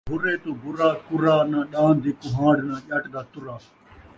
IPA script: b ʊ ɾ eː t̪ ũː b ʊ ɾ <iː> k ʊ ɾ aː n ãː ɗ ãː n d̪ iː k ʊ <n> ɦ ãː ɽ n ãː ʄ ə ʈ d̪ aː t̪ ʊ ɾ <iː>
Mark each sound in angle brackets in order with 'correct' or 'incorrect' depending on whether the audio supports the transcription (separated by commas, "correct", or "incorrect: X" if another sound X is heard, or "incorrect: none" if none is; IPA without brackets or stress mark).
incorrect: aː, incorrect: none, incorrect: aː